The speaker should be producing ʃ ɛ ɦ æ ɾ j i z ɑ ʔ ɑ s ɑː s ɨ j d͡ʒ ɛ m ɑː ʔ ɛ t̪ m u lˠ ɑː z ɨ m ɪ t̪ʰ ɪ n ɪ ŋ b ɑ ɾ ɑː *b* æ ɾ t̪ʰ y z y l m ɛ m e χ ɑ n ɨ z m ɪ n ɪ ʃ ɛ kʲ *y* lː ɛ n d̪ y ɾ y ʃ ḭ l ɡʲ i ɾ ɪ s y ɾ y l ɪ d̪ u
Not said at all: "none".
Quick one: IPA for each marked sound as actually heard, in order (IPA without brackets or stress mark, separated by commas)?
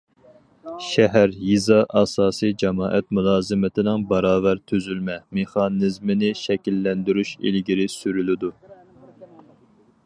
v, i